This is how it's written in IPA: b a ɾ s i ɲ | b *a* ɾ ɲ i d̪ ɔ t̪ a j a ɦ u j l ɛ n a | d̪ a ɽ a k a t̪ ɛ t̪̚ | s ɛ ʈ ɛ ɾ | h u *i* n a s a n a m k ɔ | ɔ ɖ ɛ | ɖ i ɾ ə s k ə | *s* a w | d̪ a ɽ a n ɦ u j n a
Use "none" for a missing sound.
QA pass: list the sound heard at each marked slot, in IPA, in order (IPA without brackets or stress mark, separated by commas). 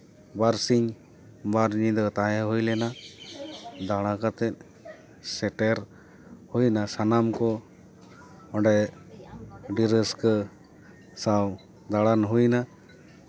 a, j, s